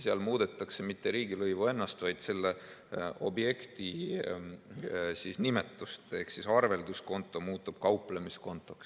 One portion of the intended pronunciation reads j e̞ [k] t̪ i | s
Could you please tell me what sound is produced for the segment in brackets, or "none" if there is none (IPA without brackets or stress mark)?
k